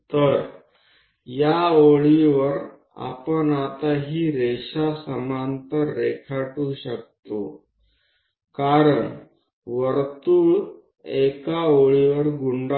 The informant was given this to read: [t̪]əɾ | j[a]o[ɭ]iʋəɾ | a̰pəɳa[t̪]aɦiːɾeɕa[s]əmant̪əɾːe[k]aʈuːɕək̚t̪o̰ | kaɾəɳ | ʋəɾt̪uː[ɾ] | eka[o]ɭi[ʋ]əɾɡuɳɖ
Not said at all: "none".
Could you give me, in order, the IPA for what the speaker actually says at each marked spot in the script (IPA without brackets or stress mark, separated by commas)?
t̪, a, ɭ, t̪, s, kʰ, ɭ, o, ʋ